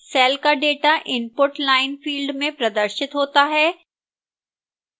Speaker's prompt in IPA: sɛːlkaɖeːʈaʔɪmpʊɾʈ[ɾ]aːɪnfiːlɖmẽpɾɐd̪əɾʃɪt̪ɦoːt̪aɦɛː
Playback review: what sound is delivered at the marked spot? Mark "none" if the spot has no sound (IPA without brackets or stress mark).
l